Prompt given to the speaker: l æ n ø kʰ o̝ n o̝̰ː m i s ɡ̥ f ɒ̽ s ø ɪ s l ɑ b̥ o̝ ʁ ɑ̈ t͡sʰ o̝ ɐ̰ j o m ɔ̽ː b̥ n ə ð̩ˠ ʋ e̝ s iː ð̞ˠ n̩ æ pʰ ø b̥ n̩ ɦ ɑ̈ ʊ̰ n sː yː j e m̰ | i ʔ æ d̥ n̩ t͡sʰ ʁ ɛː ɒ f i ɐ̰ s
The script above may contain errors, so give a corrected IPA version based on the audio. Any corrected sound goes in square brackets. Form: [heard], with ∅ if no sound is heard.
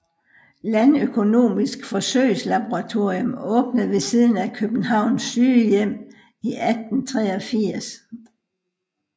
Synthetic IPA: l æ n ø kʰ o̝ n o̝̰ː m i s ɡ̥ f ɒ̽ s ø ɪ s l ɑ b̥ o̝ ʁ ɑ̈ t͡sʰ o̝ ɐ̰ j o m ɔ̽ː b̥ n ə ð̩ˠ ʋ e̝ s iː ð̞ˠ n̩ æ [kʰ] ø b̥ n̩ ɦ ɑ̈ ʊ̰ n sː yː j e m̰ | i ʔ æ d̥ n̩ t͡sʰ ʁ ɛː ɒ f i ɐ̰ s